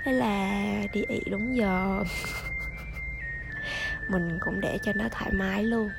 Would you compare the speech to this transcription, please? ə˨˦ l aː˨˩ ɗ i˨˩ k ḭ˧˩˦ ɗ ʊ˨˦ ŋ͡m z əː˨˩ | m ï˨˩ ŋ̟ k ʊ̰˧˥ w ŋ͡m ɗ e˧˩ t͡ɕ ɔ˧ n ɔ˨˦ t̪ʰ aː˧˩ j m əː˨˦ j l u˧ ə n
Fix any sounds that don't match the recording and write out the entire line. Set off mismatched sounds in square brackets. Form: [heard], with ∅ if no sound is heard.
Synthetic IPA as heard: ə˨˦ l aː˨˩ ɗ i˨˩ [ʔ] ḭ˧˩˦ ɗ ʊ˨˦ ŋ͡m z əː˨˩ | m ï˨˩ ŋ̟ k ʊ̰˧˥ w ŋ͡m ɗ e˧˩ t͡ɕ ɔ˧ n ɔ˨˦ t̪ʰ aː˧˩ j m [aː˨˦] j l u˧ ə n